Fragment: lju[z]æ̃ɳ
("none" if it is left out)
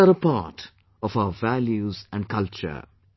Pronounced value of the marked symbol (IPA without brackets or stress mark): z